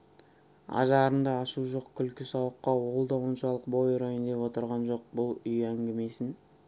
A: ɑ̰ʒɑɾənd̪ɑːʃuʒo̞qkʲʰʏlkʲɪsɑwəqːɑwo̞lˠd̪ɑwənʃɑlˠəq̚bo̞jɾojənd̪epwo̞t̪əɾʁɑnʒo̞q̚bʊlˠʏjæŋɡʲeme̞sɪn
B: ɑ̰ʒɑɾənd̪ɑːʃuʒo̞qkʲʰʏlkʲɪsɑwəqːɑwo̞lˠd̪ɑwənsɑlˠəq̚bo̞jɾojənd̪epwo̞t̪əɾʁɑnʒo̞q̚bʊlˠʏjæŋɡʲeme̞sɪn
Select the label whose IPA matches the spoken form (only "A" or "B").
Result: A